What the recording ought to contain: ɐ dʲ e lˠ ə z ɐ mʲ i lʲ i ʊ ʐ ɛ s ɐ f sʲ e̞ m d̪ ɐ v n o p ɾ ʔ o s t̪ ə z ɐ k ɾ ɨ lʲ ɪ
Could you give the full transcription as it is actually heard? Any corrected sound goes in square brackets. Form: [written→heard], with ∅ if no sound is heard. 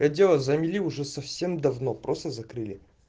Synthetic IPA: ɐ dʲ e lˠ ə z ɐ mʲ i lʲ i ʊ ʐ ɛ s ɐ f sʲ e̞ m d̪ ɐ v n o p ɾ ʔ o s t̪ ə z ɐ k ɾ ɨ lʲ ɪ